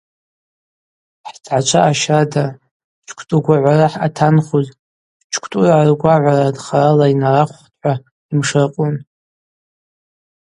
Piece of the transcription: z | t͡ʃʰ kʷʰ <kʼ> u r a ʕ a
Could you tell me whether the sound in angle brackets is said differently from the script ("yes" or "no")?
yes